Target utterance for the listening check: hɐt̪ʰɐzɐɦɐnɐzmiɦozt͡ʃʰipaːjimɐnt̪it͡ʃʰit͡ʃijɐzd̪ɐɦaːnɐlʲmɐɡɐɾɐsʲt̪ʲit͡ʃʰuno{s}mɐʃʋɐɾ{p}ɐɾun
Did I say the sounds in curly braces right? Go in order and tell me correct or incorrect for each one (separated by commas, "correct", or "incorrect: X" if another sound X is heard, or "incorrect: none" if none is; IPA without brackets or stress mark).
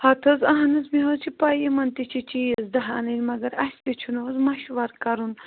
incorrect: z, incorrect: k